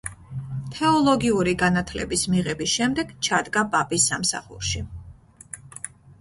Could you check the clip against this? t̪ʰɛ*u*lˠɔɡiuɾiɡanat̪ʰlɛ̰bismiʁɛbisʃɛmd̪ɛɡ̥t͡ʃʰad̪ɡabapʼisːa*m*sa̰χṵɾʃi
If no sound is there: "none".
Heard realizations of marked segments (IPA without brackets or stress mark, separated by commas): ɔ, m